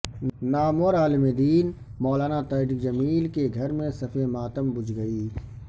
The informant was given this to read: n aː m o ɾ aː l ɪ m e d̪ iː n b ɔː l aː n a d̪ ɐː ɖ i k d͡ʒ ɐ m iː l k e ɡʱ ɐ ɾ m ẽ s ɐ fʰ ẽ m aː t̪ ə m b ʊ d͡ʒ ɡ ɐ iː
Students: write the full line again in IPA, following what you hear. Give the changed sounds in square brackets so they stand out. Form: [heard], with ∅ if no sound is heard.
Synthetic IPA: n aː m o ɾ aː l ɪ m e d̪ iː n [m] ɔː l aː n a [t̪] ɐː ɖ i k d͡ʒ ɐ m iː l k e ɡʱ ɐ ɾ m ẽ s ɐ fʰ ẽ m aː t̪ ə m b ʊ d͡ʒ ɡ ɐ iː